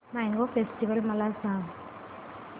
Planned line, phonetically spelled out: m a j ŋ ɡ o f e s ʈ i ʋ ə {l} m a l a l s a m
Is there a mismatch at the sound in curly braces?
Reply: no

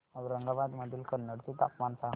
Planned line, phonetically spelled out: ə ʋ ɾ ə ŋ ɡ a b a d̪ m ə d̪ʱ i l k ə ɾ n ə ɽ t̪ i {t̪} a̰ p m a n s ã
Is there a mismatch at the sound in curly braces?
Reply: no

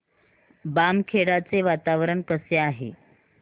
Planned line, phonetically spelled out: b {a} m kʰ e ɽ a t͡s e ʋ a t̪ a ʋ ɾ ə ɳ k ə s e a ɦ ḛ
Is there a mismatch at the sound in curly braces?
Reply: no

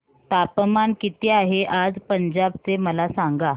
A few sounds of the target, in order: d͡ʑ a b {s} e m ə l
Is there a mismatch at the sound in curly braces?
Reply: yes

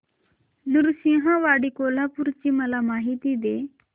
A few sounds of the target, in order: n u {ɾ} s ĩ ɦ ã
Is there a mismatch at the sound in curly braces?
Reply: no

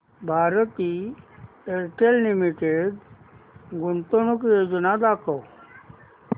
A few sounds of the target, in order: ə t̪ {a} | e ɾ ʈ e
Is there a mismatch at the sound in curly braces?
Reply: yes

